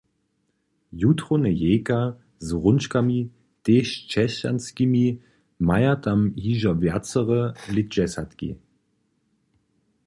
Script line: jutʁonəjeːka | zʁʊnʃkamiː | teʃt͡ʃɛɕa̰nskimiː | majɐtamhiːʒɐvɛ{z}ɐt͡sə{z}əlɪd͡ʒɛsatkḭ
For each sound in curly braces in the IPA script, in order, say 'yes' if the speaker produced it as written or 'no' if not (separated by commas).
no, no